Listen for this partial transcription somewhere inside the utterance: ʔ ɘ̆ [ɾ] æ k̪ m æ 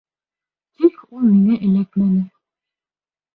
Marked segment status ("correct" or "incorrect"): incorrect